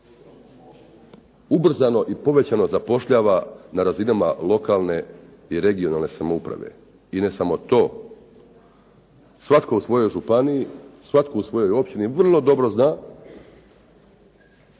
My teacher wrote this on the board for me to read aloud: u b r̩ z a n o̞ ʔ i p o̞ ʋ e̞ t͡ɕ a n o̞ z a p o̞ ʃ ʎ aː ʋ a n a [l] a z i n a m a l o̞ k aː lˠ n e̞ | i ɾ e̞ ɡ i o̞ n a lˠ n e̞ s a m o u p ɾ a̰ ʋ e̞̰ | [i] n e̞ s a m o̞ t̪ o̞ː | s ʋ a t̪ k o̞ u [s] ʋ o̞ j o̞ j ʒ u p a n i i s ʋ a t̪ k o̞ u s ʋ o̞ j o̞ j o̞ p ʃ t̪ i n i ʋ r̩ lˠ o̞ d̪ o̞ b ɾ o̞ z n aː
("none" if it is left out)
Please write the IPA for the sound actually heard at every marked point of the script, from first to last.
ɾ, i, s

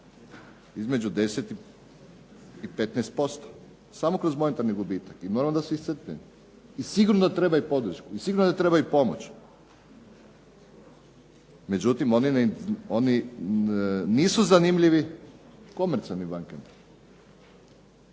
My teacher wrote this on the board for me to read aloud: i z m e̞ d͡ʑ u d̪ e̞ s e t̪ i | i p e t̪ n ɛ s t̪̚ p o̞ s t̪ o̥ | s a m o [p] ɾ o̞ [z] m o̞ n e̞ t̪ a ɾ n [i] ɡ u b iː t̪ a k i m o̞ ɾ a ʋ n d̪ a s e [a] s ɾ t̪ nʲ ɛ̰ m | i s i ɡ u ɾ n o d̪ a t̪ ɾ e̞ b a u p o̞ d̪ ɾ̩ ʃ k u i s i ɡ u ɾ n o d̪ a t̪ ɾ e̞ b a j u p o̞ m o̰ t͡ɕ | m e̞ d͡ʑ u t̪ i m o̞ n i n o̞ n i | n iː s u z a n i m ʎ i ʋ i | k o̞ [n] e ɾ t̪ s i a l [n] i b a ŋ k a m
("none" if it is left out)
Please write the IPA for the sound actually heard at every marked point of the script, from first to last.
k, z, i, i, m, n

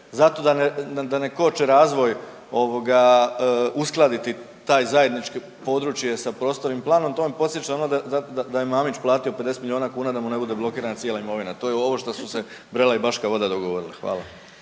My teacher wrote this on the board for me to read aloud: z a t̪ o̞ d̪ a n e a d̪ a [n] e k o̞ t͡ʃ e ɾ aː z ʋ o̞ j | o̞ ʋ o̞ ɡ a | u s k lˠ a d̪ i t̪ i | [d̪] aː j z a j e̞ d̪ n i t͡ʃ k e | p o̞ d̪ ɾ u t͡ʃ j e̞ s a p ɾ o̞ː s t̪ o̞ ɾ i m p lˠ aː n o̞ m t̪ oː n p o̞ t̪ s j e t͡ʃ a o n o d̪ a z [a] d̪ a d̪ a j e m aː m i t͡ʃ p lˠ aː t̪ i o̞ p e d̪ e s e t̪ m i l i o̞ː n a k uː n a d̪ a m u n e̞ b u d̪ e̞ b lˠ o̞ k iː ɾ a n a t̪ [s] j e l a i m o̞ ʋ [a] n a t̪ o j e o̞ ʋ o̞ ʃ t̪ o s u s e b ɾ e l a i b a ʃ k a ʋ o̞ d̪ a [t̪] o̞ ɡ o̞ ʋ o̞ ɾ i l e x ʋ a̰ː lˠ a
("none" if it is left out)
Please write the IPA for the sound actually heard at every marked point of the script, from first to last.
n, t̪, a, s, i, d̪

